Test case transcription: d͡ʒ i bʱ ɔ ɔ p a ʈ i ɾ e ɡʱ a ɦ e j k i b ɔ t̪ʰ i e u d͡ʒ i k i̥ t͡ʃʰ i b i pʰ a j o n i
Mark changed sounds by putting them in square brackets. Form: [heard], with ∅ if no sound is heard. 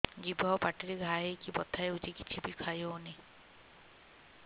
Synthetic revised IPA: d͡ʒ i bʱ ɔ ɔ p a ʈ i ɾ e ɡʱ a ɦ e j k i b ɔ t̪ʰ [a] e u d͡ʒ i k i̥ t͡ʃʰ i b i [kʰ] a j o n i